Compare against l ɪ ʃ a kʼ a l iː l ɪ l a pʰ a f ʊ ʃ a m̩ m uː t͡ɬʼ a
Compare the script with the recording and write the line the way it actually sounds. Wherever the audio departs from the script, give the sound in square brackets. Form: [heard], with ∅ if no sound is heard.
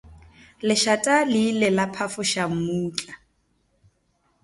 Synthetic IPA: l ɪ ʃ a [tʼ] a l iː l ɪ l a pʰ a f ʊ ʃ a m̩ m uː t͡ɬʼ a